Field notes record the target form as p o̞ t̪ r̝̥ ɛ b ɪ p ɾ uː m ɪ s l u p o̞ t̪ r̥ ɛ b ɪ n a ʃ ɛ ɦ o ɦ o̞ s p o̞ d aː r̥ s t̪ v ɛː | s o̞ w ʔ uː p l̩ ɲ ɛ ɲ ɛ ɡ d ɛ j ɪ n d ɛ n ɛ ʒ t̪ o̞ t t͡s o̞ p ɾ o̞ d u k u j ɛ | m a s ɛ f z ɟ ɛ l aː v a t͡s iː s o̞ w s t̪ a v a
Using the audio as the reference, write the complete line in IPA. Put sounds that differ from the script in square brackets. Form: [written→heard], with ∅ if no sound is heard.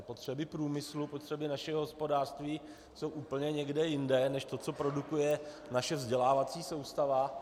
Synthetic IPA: p o̞ t̪ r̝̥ ɛ b ɪ p ɾ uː m ɪ s l u p o̞ t̪ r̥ ɛ b ɪ n a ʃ ɛ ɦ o ɦ o̞ s p o̞ d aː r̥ s t̪ v [ɛː→iː] | s o̞ w ʔ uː p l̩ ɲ ɛ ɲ ɛ ɡ d ɛ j ɪ n d ɛ n ɛ [ʒ→ʃ] t̪ o̞ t t͡s o̞ p ɾ o̞ d u k u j ɛ | [m→n] a [s→ʃ] ɛ [f→v] z ɟ ɛ l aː v a t͡s iː s o̞ w s t̪ a v a